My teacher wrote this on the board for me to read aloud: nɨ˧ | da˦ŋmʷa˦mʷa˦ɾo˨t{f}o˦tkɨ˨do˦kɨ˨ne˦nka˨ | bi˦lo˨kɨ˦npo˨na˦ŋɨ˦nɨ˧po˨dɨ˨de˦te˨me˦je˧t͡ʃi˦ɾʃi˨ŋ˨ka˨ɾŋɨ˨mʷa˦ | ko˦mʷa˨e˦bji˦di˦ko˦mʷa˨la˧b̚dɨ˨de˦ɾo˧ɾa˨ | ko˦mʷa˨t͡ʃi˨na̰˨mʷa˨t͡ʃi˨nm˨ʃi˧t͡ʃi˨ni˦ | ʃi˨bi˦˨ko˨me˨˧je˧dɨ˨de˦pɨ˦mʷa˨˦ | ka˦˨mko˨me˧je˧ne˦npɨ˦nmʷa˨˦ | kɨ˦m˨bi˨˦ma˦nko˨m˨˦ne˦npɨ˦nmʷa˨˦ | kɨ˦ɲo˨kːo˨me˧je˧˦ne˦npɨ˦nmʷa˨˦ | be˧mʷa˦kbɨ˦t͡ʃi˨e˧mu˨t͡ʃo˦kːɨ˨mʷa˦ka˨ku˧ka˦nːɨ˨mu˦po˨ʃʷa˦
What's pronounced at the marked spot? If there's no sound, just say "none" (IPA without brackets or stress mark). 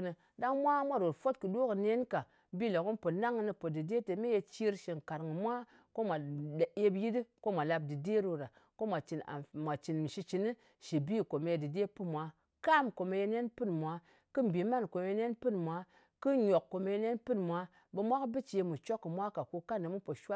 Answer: f